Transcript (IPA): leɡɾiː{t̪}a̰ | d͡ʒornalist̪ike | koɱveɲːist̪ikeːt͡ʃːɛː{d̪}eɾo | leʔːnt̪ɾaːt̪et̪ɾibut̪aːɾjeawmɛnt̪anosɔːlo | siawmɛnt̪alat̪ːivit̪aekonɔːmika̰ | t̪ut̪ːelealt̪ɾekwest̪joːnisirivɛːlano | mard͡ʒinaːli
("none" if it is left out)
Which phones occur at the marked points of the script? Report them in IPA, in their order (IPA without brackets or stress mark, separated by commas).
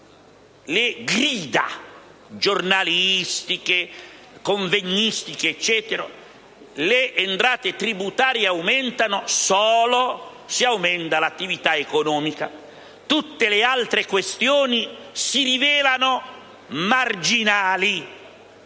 d̪, t̪